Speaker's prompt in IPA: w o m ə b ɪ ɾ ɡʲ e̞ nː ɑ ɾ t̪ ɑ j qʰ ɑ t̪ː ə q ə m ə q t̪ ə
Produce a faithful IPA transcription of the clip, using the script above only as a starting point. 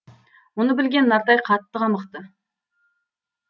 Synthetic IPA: w o n ə b ɪ l ɡʲ e̞ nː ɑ ɾ t̪ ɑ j qʰ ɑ t̪ː ə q ɑ m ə q t̪ ə